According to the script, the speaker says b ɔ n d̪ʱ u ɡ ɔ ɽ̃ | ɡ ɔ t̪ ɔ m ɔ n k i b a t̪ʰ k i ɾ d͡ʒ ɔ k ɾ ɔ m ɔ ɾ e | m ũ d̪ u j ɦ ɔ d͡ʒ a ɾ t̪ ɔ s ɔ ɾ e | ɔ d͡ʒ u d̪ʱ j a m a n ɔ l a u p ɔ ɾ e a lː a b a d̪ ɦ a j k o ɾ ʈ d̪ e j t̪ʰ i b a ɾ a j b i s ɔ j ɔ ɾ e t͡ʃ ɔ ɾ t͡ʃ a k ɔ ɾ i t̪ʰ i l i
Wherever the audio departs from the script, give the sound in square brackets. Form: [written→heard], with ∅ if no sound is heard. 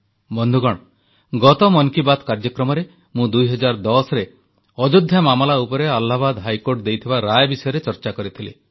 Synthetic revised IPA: b ɔ n d̪ʱ u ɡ ɔ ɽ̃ | ɡ ɔ t̪ ɔ m ɔ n k i b a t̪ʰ k [i→a] ɾ d͡ʒ ɔ k ɾ ɔ m ɔ ɾ e | m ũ d̪ u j ɦ ɔ d͡ʒ a ɾ [t̪→d̪] ɔ s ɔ ɾ e | ɔ d͡ʒ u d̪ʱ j a m a [n→m] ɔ l a u p ɔ ɾ e a lː a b a d̪ ɦ a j k o ɾ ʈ d̪ e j t̪ʰ i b a ɾ a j b i s ɔ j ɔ ɾ e t͡ʃ ɔ ɾ t͡ʃ a k ɔ ɾ i t̪ʰ i l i